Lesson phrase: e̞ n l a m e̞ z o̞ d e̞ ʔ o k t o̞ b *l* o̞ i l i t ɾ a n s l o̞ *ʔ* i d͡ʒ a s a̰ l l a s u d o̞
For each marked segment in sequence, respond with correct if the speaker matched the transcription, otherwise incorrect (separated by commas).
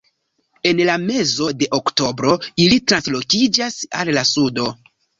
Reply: incorrect, incorrect